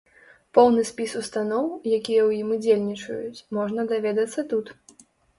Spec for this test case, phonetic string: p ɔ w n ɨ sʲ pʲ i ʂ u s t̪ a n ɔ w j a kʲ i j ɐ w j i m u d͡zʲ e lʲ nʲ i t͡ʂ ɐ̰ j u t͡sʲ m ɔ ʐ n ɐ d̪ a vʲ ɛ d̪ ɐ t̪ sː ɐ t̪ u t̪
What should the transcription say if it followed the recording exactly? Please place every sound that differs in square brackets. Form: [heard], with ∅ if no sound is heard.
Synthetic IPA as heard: p ɔ w n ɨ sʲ pʲ i [s] u s t̪ a n ɔ w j a kʲ i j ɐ w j i m u d͡zʲ e lʲ nʲ i t͡ʂ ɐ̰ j u t͡sʲ m ɔ ʐ n ɐ d̪ a vʲ ɛ d̪ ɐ t̪ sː ɐ t̪ u t̪